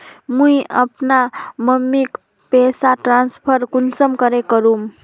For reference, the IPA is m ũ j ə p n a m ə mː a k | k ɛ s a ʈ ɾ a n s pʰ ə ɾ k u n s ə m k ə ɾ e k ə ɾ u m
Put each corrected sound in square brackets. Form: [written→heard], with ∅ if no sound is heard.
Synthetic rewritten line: m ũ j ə p n a m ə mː [a→i] k | [k→p] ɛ s a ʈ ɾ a n s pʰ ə ɾ k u n s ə m k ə ɾ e k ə ɾ u m